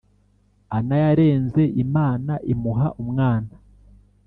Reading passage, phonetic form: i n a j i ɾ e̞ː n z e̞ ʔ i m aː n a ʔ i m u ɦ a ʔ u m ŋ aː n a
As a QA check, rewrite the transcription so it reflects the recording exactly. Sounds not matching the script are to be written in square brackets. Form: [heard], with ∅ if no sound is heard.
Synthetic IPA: [a] n a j [a] ɾ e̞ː n z e̞ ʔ i m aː n a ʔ i m u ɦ a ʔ u m ŋ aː n a